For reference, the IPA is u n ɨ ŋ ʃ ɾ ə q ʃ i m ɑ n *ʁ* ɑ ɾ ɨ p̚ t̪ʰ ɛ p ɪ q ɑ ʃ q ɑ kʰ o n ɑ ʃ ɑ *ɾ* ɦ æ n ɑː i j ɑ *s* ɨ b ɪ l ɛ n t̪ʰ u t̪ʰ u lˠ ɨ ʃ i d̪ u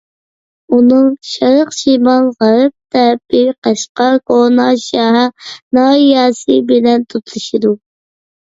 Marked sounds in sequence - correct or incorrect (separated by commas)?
correct, incorrect, correct